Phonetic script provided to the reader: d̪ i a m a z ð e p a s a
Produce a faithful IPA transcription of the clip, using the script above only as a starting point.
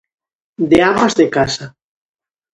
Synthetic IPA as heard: d̪ e a m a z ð e k a s a